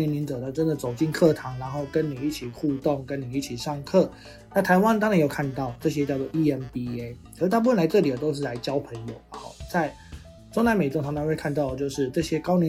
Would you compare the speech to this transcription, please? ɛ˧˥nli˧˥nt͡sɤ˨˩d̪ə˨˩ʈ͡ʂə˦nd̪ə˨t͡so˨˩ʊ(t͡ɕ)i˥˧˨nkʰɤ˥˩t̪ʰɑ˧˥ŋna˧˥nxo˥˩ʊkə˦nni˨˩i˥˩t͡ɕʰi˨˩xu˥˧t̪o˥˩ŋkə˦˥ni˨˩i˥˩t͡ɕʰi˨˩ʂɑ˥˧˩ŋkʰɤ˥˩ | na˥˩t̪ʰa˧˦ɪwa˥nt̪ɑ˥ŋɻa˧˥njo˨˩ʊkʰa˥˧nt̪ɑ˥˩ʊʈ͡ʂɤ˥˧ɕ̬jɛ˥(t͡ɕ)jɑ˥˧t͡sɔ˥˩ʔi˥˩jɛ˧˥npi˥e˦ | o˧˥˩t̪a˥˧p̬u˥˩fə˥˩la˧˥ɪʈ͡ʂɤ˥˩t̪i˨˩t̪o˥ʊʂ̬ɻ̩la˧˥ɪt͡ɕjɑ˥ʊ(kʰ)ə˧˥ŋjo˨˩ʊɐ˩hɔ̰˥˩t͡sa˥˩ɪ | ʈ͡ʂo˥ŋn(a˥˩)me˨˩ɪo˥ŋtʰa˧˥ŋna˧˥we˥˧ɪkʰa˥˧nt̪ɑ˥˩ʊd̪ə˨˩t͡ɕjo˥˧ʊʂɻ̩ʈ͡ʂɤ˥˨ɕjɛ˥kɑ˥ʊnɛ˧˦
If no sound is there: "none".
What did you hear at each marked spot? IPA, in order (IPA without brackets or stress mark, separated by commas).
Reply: t͡ɕ, t͡ɕ, pʰ, a˧˥